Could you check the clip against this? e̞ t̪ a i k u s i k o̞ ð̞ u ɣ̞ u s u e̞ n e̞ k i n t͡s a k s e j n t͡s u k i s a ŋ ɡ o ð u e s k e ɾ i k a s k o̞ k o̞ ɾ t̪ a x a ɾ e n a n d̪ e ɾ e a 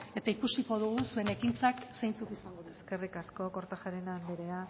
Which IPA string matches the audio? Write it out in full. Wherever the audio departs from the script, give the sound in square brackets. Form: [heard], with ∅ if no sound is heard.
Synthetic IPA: e̞ t̪ a i k u s i k o̞ ð̞ u ɣ̞ u s u e̞ n e̞ k i n t͡s a k s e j n t͡s u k i s a ŋ ɡ o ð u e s k e [r] i k a s k o̞ k o̞ ɾ t̪ a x a ɾ e n a n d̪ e ɾ e a